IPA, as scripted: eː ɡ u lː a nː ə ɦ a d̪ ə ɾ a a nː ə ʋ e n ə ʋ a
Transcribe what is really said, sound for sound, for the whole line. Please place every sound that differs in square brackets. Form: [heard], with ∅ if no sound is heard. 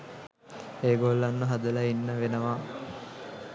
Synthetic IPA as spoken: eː ɡ [o] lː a nː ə ɦ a d̪ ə [l] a [i] nː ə ʋ e n ə ʋ a